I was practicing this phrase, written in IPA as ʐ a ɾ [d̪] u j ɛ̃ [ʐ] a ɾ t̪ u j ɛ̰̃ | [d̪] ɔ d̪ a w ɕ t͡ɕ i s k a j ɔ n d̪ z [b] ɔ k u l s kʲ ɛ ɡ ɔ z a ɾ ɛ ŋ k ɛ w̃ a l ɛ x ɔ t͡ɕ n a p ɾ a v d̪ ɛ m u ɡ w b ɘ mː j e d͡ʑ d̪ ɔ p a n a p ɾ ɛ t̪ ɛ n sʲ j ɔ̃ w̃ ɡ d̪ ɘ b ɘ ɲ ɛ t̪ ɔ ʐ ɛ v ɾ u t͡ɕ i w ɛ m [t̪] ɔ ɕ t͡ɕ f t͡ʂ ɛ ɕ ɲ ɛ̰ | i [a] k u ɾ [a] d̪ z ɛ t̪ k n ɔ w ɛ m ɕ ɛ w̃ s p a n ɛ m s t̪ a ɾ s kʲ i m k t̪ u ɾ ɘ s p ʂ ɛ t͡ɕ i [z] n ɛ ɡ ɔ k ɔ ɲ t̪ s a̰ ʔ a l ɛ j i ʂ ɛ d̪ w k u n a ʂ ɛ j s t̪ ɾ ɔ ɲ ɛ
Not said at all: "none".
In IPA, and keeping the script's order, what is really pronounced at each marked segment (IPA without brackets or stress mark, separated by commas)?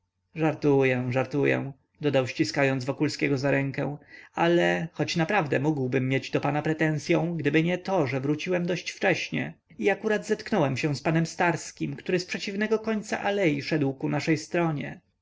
t̪, ʐ, d̪, v, d̪, a, a, v